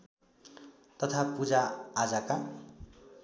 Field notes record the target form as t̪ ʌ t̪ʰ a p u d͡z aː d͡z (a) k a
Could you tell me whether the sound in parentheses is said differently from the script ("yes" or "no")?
no